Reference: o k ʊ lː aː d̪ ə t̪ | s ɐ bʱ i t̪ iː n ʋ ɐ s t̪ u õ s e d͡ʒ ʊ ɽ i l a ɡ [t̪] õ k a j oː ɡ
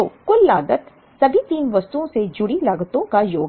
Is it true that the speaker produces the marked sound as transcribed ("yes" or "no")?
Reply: yes